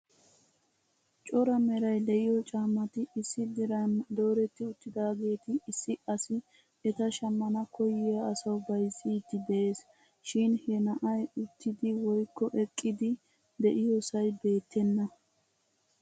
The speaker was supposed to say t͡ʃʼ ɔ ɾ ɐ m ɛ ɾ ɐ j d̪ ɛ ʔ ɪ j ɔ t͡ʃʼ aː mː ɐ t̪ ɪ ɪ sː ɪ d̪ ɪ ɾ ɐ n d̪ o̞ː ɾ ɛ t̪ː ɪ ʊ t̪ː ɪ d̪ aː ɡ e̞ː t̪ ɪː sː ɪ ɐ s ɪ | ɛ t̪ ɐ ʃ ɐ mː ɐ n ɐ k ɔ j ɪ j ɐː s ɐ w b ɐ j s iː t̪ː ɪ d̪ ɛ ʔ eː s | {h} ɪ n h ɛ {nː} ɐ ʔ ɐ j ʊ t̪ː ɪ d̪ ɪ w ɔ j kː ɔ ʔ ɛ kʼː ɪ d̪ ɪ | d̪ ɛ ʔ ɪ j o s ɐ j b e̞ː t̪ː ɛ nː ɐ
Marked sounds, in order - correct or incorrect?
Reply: incorrect: ʃ, incorrect: n

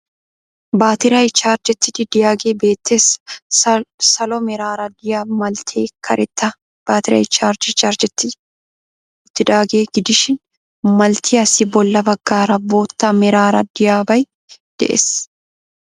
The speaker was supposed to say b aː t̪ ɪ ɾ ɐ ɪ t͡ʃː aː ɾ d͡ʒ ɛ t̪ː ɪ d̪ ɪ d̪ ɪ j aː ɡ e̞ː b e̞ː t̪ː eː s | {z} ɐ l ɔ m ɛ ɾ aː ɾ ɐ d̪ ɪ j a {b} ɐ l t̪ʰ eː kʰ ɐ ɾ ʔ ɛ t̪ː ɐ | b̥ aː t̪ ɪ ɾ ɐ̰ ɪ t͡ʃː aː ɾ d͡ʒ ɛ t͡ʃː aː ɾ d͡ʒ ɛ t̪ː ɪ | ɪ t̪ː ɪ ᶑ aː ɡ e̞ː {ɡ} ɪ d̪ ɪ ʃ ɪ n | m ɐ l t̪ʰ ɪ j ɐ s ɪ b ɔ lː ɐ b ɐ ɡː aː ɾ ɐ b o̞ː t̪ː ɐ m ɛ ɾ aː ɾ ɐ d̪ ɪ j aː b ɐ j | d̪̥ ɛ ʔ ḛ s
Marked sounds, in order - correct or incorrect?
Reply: incorrect: s, incorrect: m, correct

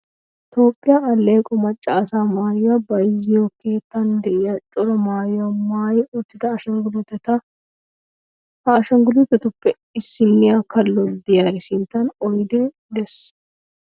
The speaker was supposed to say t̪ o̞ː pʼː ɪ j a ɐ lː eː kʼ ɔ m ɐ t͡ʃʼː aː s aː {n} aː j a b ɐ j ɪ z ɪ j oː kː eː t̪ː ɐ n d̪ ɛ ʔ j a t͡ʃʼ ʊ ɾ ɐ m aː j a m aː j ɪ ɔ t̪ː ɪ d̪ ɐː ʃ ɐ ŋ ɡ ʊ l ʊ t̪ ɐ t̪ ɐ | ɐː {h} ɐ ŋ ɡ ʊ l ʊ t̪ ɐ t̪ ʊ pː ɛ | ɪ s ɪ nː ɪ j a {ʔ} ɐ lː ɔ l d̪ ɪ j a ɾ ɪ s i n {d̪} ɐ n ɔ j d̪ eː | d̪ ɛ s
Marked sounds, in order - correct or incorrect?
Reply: incorrect: m, incorrect: ʃ, incorrect: k, incorrect: t̪

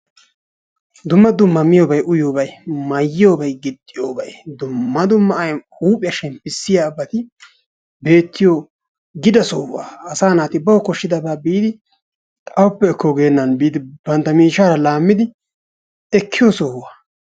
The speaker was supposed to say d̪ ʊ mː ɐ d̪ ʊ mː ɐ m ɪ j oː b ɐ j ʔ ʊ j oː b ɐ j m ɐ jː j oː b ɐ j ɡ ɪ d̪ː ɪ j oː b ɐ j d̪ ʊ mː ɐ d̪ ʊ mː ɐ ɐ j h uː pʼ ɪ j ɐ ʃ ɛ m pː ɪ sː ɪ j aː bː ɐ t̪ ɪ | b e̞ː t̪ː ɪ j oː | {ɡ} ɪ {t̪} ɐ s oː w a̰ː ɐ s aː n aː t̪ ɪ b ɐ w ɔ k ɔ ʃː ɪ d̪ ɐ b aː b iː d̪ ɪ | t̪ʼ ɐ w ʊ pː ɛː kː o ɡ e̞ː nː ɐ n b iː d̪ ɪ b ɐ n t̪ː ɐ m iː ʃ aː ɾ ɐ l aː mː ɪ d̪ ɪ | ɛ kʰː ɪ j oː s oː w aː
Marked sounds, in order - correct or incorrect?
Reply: correct, incorrect: d̪

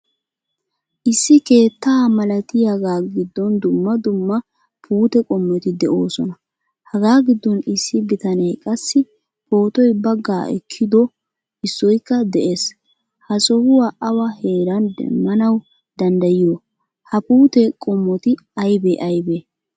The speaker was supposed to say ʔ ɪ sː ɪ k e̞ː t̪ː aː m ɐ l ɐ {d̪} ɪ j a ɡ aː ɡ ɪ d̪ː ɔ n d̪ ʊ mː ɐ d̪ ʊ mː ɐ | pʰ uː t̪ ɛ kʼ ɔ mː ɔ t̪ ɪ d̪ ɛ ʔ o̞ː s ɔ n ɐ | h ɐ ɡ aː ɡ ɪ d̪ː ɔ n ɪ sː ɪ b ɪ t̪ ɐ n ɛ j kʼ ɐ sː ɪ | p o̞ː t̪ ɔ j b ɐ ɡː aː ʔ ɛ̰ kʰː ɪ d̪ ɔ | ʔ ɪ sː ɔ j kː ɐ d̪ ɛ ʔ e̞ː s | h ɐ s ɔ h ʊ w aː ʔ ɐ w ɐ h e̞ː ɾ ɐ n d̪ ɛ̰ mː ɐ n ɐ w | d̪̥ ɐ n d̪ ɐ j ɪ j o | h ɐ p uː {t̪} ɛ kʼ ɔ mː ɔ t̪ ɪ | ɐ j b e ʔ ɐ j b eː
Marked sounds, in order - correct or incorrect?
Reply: incorrect: t̪, correct

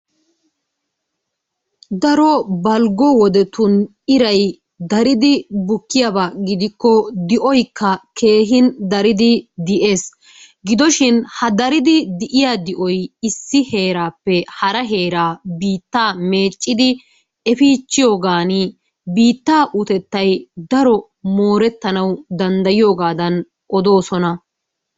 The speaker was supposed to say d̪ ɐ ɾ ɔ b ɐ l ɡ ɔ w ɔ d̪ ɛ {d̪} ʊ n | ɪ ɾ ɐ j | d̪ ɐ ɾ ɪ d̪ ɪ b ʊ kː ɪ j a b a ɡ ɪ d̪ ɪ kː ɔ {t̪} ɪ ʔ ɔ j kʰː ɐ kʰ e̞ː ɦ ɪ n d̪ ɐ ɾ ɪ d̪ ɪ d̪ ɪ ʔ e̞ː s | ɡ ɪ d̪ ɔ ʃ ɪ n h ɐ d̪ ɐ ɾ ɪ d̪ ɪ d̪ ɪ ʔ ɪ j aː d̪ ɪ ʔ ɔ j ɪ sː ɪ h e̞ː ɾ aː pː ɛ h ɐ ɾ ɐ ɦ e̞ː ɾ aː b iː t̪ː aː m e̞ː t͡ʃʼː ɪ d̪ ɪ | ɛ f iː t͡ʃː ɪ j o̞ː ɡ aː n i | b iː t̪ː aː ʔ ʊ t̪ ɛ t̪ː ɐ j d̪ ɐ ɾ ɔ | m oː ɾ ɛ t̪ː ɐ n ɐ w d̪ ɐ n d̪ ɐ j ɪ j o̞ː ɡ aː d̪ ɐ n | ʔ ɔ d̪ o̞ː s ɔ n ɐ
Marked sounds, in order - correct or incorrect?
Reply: incorrect: t̪, incorrect: d̪

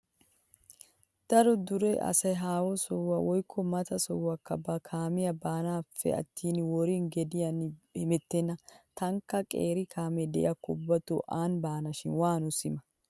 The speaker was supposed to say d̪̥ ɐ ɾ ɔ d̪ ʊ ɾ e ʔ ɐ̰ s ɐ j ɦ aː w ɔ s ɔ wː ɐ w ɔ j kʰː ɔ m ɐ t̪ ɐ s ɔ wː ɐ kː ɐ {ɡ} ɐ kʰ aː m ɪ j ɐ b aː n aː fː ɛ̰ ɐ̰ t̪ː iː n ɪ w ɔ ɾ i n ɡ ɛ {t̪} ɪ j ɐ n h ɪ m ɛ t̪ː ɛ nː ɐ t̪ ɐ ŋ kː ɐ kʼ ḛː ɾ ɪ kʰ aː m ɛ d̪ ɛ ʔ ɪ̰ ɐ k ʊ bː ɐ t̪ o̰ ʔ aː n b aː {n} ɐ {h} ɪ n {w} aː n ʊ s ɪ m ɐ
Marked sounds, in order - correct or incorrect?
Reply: incorrect: b, incorrect: d̪, correct, incorrect: ʃ, correct

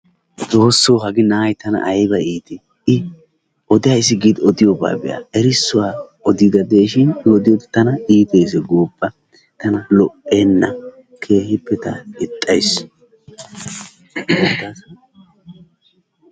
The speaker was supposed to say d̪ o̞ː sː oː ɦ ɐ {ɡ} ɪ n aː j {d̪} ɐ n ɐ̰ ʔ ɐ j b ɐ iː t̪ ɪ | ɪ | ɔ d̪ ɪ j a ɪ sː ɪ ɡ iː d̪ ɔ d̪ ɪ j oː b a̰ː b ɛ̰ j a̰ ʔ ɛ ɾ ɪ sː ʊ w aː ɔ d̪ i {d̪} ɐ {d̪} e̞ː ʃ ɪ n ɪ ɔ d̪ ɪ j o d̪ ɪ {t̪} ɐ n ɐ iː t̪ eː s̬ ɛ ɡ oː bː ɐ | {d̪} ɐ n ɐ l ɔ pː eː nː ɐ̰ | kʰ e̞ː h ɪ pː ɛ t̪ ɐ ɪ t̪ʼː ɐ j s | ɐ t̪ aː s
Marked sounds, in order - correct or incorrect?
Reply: correct, incorrect: t̪, correct, correct, correct, incorrect: t̪

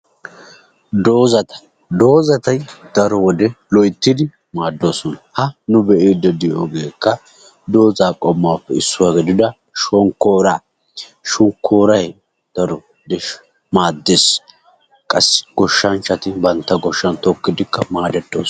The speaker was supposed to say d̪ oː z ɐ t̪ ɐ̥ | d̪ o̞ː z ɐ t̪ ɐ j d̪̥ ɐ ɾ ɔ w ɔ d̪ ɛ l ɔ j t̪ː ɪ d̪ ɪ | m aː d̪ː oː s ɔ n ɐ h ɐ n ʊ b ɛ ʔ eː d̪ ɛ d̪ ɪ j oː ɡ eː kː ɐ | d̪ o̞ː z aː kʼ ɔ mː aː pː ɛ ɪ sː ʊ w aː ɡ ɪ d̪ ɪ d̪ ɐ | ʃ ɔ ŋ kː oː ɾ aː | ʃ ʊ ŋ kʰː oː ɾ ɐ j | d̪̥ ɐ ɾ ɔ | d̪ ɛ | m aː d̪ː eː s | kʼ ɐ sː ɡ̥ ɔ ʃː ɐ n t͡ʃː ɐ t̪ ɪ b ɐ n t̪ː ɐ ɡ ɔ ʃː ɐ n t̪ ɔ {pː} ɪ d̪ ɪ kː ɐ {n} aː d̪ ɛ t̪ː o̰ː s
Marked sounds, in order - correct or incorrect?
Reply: incorrect: kː, incorrect: m

